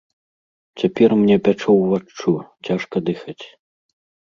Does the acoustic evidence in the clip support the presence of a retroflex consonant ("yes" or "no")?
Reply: yes